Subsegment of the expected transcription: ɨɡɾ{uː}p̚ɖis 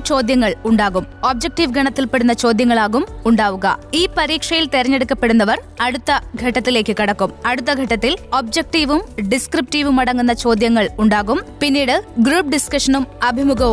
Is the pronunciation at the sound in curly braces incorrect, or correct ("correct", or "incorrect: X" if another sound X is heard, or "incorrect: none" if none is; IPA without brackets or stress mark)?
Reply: correct